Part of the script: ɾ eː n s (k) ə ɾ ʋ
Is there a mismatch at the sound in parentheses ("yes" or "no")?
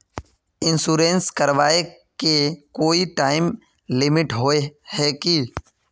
no